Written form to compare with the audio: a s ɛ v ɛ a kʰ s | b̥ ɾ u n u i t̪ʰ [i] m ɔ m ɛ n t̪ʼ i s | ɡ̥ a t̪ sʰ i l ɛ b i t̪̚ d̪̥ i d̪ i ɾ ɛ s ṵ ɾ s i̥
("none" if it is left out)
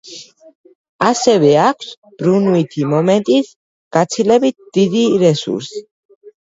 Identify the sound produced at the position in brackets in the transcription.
i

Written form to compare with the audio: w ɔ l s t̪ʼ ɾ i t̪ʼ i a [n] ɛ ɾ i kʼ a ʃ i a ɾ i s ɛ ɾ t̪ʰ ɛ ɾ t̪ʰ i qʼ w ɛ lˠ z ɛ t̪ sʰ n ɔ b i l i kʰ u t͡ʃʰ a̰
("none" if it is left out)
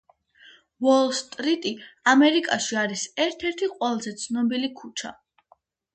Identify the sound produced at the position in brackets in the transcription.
m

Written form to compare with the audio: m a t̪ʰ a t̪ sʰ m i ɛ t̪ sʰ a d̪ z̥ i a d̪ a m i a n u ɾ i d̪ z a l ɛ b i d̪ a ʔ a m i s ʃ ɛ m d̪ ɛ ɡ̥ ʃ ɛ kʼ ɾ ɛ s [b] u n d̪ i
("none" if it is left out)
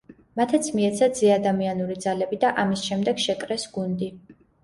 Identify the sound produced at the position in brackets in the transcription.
ɡ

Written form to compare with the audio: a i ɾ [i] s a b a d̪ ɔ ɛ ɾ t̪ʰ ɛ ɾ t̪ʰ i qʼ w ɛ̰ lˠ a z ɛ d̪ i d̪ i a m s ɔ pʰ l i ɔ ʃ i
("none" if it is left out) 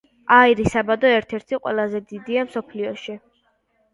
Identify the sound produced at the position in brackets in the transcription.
i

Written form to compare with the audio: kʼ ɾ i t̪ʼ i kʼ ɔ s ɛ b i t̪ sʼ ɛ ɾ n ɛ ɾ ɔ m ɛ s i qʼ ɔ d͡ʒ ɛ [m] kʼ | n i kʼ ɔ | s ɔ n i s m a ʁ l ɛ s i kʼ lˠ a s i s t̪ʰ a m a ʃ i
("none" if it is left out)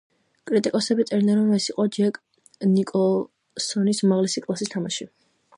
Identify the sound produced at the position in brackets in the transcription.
none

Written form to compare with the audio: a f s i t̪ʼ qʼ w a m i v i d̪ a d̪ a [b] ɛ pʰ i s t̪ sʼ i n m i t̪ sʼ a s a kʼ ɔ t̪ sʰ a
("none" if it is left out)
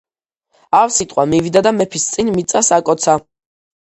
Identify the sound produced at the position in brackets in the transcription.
m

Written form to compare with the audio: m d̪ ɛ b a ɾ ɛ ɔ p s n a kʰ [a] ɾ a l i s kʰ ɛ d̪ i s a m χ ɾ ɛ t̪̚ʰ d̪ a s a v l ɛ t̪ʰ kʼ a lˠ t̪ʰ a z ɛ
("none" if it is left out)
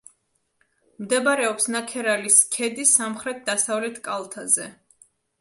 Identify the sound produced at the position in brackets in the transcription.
ɛ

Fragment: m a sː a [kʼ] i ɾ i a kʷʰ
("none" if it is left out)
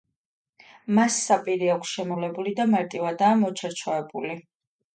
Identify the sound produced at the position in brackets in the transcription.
pʼ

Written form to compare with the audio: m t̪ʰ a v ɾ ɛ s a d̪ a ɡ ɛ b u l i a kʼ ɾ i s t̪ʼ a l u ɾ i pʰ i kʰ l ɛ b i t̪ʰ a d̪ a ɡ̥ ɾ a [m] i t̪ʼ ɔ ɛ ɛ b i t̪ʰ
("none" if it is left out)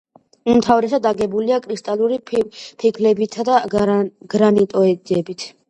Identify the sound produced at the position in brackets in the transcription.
n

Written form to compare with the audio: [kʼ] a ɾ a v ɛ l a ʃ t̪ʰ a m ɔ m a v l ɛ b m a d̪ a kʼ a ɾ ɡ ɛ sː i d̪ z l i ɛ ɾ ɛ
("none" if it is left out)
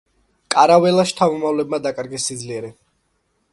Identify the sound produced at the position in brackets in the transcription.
kʼ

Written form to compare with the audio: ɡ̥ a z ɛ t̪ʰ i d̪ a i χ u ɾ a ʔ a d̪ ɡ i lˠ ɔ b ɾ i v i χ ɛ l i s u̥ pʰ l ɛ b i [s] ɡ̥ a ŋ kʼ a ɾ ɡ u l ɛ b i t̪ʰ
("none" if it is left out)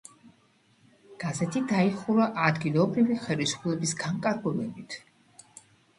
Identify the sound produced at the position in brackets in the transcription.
s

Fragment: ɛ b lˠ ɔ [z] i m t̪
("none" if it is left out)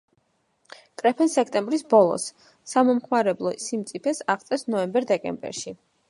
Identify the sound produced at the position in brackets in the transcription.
s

